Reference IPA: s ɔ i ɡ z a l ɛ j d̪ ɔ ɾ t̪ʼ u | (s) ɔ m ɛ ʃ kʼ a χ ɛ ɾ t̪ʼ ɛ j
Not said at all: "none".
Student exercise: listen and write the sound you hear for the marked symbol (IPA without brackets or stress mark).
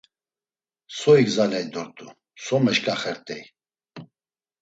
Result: s